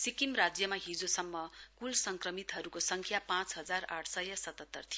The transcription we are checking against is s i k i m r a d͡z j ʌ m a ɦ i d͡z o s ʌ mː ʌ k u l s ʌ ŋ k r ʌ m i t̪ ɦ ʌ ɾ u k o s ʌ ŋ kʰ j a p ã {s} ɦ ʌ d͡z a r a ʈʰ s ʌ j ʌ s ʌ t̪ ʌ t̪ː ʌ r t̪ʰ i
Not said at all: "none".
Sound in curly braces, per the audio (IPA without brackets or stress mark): t͡s